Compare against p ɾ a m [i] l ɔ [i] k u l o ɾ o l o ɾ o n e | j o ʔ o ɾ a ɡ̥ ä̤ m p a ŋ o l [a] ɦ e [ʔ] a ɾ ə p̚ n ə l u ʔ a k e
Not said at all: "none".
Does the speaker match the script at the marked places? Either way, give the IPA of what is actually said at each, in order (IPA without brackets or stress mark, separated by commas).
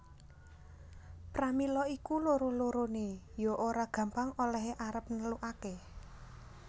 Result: i, i, ɛ, ʔ